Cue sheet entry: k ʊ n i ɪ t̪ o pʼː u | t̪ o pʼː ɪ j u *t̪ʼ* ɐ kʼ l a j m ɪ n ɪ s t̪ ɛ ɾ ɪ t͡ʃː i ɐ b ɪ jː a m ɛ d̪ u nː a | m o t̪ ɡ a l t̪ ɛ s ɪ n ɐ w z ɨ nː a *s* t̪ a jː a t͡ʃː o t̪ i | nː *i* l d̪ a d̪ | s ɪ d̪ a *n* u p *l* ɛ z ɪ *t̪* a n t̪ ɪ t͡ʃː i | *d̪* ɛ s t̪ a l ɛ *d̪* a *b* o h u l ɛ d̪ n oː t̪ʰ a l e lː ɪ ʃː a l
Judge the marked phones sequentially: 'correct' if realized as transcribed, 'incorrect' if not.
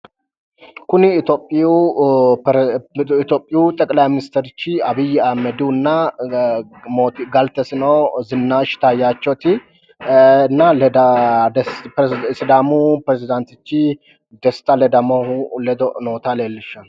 correct, incorrect, incorrect, incorrect, incorrect, incorrect, correct, correct, incorrect

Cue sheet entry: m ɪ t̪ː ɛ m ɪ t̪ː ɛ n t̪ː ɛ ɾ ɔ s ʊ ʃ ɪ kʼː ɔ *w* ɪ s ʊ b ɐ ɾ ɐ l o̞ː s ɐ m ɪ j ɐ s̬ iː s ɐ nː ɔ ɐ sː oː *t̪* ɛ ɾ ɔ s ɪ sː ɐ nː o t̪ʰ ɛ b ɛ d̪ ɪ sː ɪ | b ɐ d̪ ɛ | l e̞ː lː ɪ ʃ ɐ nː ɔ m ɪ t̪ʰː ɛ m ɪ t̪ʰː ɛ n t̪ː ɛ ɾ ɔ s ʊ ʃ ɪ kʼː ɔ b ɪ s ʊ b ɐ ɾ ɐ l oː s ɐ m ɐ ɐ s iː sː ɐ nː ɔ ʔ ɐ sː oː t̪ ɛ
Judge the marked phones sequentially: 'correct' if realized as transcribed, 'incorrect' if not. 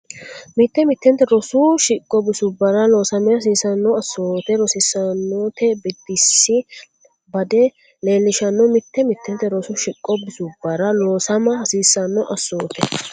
incorrect, correct

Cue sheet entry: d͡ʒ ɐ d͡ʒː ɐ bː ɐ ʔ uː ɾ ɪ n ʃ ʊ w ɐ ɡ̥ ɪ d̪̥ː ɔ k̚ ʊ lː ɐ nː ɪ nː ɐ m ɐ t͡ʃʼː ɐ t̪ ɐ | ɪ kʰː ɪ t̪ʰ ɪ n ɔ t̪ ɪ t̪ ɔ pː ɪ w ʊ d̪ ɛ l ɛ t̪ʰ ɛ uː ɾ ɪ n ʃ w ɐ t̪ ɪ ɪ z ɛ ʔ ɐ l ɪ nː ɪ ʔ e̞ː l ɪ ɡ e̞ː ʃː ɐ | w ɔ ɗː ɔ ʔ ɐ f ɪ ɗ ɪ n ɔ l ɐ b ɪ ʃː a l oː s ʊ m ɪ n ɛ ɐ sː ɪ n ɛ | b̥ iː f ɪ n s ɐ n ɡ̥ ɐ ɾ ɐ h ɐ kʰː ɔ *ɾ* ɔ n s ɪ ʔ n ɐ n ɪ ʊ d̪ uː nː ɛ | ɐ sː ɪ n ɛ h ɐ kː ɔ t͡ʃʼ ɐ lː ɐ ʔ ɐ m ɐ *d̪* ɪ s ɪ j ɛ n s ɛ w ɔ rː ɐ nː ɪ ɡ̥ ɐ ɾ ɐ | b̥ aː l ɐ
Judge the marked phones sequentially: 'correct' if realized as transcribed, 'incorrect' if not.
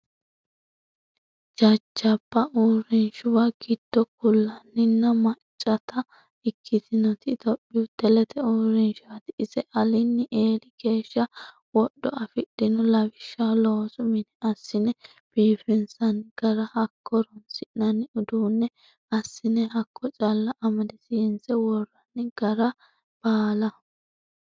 correct, correct

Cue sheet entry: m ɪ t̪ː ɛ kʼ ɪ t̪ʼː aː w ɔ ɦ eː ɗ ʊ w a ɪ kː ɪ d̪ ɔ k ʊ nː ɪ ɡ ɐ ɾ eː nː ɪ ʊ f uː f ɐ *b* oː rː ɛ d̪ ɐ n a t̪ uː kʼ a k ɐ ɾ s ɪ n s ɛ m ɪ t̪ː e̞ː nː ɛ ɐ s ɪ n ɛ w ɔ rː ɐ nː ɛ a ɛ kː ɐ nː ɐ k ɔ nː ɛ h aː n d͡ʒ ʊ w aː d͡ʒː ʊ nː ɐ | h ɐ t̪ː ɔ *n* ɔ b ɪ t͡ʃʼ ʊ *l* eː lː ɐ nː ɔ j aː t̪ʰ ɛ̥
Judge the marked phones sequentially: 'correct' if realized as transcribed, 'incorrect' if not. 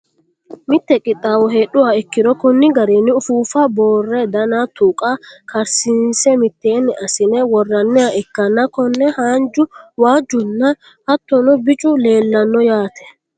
correct, correct, correct

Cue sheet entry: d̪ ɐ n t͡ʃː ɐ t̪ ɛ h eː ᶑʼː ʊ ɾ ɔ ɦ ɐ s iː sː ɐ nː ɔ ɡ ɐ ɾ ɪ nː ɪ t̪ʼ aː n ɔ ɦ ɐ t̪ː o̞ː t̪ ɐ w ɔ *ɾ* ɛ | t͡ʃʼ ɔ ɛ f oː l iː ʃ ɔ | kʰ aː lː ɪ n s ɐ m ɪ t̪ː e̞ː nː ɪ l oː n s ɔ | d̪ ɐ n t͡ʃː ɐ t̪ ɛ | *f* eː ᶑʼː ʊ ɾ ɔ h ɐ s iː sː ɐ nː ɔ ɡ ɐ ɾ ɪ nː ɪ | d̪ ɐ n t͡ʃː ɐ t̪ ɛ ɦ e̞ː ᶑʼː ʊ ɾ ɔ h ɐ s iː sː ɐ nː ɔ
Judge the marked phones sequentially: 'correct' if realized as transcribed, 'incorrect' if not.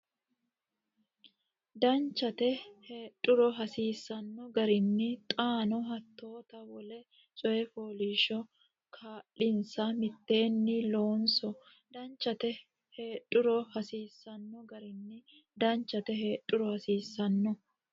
incorrect, incorrect

